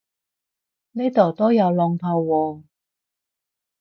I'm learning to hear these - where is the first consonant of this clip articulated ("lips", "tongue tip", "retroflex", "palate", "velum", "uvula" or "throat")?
tongue tip